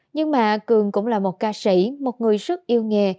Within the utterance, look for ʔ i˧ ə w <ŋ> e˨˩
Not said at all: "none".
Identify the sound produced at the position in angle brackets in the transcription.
ŋ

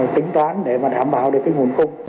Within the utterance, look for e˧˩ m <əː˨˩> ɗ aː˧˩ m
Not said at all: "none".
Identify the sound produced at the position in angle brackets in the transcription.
aː˨˩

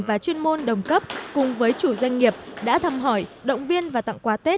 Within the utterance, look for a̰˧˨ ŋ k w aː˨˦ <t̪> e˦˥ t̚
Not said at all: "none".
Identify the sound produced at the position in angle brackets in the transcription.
t̪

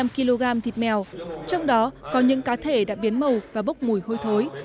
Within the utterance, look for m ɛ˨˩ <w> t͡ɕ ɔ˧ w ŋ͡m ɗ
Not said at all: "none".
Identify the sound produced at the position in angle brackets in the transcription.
w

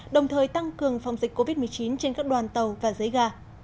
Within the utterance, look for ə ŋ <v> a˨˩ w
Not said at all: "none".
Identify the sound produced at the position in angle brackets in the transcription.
f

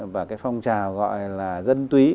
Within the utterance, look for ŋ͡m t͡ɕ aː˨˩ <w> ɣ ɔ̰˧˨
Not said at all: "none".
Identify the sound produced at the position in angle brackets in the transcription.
w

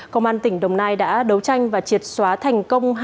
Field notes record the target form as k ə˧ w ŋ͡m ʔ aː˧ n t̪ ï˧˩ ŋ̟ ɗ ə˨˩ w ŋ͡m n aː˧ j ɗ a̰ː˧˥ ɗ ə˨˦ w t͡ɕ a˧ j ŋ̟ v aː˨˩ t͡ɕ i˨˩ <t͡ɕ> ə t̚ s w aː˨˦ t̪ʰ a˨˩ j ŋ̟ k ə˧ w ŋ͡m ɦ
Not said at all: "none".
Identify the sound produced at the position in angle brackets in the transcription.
none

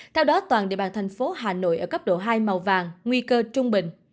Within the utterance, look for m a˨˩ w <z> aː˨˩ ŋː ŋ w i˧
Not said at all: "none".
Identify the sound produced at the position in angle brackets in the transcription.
v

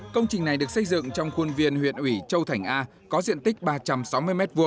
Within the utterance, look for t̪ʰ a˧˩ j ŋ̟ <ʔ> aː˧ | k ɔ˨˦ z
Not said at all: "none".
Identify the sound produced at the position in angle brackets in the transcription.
ʔ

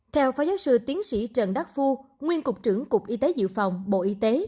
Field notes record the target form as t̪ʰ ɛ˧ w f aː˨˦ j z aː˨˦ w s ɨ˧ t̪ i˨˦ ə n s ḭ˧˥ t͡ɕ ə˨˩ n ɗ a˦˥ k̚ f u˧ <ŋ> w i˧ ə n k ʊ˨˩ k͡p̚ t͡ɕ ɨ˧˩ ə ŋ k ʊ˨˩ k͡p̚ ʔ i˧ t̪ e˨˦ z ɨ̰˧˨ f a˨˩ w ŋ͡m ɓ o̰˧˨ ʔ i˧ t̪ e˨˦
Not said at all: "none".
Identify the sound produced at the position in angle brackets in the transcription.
ŋ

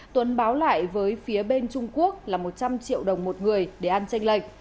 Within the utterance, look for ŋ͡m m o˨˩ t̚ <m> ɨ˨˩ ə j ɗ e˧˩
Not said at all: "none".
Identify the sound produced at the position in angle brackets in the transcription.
ŋ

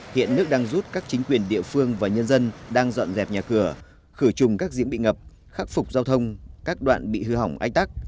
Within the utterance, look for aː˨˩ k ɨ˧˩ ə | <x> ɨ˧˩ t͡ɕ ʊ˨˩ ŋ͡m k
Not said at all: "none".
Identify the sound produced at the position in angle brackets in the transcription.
x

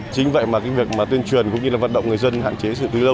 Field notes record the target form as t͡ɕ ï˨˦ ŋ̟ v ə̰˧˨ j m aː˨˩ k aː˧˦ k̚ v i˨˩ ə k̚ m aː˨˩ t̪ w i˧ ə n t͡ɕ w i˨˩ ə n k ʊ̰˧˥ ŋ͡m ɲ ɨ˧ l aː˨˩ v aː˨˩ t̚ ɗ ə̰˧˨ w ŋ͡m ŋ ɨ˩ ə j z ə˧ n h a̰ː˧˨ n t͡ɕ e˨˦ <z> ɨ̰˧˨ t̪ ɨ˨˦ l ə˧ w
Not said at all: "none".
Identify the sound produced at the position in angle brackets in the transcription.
s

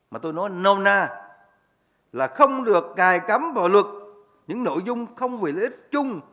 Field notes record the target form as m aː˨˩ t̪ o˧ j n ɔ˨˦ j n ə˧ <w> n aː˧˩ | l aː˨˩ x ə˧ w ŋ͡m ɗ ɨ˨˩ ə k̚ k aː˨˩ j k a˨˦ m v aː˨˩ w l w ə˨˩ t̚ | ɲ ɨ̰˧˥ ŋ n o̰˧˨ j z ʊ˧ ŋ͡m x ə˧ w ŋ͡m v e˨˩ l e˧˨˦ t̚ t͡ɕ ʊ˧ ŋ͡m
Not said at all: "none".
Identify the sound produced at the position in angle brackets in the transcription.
w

